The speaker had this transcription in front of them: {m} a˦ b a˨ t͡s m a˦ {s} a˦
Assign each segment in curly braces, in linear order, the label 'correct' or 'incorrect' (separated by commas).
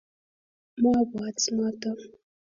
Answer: correct, incorrect